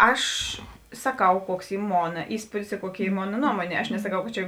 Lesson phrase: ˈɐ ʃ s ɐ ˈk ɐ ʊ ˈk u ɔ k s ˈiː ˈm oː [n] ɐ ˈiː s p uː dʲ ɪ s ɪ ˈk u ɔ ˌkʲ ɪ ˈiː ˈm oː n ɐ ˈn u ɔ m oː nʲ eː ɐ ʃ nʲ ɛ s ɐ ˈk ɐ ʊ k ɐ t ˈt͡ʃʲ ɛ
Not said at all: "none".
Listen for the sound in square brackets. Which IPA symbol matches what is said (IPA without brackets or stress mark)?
n